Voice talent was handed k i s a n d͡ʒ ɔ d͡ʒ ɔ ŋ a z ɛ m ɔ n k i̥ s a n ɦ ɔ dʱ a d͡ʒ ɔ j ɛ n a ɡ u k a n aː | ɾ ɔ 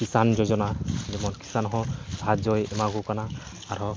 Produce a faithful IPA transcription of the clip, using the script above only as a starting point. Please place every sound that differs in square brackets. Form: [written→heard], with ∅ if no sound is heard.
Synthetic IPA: k i s a n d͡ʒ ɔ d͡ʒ ɔ [ŋ→n] a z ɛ m ɔ n k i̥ s a n ɦ ɔ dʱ a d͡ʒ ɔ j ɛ [n→m] a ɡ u k a n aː | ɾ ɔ